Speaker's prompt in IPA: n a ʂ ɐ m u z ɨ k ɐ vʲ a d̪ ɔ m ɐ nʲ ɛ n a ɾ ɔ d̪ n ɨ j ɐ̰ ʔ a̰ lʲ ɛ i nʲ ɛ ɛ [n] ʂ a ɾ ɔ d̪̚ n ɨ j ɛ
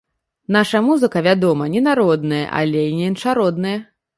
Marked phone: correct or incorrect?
correct